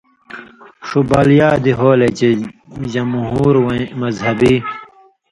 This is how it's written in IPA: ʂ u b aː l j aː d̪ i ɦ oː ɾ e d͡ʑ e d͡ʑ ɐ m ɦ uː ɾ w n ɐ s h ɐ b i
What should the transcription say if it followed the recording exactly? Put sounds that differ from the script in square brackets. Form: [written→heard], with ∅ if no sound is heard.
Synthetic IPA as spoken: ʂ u b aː l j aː d̪ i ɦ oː [ɾ→l] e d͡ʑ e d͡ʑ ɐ m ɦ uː ɾ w [n→m] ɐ [s→z] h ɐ b i